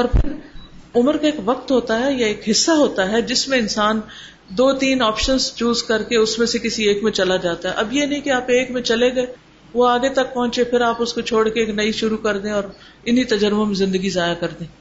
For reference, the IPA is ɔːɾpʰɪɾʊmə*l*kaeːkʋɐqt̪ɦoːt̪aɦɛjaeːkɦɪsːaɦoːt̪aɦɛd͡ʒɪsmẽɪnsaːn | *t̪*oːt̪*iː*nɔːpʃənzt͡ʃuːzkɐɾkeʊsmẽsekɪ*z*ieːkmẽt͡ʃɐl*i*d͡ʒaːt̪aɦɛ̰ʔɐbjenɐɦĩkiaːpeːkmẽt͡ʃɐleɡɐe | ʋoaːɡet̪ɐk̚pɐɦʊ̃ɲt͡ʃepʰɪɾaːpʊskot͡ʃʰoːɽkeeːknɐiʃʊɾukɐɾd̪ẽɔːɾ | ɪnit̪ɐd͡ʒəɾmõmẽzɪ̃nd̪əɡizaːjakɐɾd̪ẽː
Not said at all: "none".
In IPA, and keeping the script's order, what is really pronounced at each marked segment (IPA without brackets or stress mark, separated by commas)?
ɾ, d̪, iː, s, a